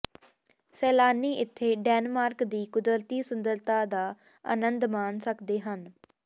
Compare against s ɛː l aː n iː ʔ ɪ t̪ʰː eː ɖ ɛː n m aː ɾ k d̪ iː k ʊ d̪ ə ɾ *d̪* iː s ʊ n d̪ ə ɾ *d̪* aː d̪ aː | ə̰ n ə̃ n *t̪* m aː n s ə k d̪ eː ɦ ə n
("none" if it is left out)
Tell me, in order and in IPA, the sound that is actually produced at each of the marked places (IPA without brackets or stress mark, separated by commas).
t̪, t̪, d̪